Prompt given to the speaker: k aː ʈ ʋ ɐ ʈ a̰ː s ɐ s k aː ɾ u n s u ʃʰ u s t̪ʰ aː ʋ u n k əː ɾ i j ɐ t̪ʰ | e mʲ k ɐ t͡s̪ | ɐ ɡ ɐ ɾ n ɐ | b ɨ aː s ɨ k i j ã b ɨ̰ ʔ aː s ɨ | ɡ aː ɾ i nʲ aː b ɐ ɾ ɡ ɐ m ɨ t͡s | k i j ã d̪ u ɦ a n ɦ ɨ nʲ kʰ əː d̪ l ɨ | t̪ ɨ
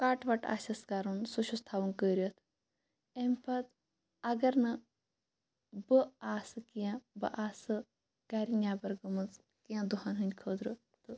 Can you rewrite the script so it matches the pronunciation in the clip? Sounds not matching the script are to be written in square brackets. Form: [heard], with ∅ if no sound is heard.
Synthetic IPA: k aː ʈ ʋ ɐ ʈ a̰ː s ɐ s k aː ɾ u n s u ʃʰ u s t̪ʰ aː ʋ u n k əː ɾ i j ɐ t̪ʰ | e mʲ [p] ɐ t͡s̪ | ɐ ɡ ɐ ɾ n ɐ | b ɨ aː s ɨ k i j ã b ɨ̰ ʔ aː s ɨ | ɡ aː ɾ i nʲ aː b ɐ ɾ ɡ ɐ m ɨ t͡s | k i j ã d̪ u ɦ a n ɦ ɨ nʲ kʰ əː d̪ [ɾ] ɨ | t̪ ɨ